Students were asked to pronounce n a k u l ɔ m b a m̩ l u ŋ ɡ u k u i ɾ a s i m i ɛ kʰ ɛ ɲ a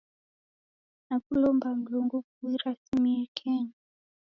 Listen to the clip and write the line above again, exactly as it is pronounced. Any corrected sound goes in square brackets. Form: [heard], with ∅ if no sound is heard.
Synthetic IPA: n a k u l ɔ m b a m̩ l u ŋ ɡ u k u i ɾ a s i m i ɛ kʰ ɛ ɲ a

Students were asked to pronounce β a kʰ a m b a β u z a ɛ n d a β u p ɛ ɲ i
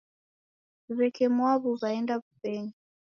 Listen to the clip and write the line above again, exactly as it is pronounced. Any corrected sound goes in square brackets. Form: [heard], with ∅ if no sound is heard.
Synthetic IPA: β [ɛ] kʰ [ɛ] m [w] a β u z a ɛ n d a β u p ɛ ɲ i

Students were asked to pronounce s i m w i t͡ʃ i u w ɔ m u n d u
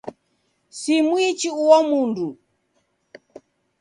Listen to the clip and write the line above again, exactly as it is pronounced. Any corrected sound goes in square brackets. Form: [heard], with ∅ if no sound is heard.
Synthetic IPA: s i m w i t͡ʃ i u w ɔ m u n d u

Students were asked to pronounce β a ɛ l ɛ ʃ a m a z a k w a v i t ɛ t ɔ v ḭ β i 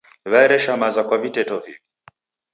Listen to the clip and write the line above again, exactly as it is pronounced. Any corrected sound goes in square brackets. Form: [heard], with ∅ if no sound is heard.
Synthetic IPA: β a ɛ [ɾ] ɛ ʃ a m a z a k w a v i t ɛ t ɔ v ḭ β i

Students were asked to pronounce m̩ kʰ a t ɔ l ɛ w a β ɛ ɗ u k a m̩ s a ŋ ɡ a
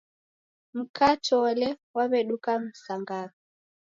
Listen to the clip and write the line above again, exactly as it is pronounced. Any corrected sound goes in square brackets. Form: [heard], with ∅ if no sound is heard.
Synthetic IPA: m̩ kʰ a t ɔ l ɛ w a β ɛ ɗ u k a m̩ s a ŋ ɡ a

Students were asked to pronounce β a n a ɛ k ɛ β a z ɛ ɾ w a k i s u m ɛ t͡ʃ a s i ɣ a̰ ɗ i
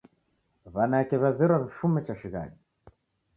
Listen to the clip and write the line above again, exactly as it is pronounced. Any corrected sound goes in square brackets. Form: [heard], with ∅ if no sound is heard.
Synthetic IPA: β a n a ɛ k ɛ β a z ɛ ɾ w a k i [f] u m ɛ t͡ʃ a [ʃ] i ɣ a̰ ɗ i

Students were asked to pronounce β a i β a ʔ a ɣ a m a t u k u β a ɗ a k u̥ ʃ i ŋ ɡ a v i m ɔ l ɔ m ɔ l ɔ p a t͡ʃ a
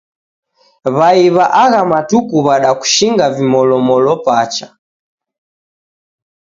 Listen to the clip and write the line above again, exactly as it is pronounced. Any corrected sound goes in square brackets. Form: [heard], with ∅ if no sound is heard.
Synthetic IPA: β a i β a ʔ a ɣ a m a t u k u β a ɗ a k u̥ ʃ i ŋ ɡ a v i m ɔ l ɔ m ɔ l ɔ p a t͡ʃ a

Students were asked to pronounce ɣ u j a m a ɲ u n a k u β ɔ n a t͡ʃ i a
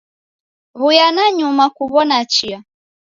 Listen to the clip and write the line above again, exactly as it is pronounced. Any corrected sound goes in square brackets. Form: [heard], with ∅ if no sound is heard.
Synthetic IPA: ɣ u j a [n] a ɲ u [m] a k u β ɔ n a t͡ʃ i a

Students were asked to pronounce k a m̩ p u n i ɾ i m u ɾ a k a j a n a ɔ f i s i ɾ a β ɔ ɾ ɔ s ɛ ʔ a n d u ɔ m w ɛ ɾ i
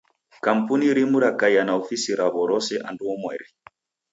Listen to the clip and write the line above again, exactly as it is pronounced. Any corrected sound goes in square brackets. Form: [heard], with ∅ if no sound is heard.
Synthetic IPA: k a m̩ p u n i ɾ i m u ɾ a k a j a n a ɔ f i s i ɾ a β ɔ ɾ ɔ s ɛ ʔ a n d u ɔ m w ɛ ɾ i

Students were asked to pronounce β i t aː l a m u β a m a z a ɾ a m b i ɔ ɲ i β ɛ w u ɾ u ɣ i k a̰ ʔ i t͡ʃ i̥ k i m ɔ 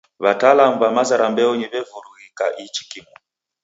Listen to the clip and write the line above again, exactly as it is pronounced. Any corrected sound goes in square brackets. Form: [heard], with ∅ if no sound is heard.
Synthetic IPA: β [a] t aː l a m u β a m a z a ɾ a m b [ɛ] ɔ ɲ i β ɛ [v] u ɾ u ɣ i k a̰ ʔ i t͡ʃ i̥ k i m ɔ

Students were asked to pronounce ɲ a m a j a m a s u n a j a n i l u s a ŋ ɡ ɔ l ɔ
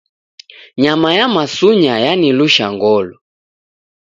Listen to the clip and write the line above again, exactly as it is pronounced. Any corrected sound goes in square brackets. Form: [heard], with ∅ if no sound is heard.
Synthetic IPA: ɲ a m a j a m a s u [ɲ] a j a n i l u [ʃ] a ŋ ɡ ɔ l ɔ

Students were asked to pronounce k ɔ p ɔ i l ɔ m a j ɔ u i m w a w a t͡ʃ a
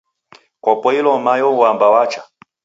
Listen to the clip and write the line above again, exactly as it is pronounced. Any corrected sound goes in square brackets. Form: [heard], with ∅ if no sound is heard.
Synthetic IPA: k ɔ p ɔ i l ɔ m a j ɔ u [a] m [b] a w a t͡ʃ a

